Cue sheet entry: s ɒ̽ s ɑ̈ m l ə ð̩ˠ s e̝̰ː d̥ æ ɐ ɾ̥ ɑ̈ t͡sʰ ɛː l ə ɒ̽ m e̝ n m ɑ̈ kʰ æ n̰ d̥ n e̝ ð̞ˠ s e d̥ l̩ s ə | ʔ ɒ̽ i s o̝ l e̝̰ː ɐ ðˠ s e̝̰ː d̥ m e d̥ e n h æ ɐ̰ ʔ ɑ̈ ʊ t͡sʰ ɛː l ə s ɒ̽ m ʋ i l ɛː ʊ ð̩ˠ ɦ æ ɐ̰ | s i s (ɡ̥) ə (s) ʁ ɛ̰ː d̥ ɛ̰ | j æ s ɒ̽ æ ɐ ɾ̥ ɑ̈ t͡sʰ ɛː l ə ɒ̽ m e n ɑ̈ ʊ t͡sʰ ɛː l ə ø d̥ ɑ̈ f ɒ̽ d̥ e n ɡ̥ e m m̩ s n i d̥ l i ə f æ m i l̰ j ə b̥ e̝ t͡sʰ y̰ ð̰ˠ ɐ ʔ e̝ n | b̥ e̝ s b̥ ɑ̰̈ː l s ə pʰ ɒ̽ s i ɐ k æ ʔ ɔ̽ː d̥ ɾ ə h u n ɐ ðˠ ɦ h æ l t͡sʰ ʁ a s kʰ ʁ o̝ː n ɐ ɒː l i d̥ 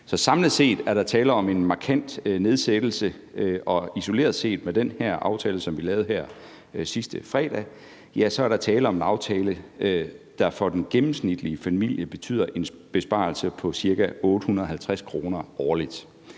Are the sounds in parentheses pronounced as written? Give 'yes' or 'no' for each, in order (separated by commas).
no, no